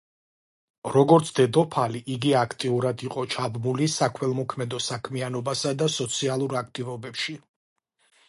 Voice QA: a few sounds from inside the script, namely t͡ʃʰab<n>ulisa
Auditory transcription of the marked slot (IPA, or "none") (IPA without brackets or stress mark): m